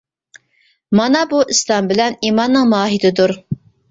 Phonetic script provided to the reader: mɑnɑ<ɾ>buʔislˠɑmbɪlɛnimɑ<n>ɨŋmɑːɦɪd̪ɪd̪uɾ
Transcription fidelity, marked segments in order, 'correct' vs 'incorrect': incorrect: none, incorrect: nː

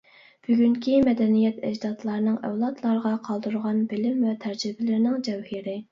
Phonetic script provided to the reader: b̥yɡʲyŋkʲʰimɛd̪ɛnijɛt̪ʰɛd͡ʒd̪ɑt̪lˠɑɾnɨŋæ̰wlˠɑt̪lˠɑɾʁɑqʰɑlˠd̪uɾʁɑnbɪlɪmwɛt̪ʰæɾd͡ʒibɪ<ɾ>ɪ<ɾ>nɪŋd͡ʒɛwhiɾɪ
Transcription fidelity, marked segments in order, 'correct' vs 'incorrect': incorrect: l, correct

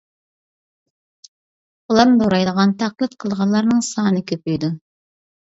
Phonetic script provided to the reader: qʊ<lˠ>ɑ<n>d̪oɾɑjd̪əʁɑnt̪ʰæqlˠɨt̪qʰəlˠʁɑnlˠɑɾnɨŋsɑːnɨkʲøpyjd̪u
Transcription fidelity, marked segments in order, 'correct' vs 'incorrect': correct, incorrect: m

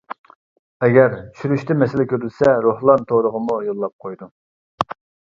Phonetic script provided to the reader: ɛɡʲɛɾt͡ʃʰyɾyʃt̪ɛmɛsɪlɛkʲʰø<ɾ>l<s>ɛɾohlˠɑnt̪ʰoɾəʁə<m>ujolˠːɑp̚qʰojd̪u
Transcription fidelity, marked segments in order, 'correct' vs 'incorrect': correct, correct, correct

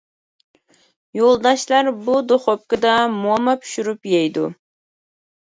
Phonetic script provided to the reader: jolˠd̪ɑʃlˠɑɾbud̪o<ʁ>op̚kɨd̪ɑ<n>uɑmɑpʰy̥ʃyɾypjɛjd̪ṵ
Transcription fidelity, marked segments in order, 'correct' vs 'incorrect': incorrect: χ, incorrect: m

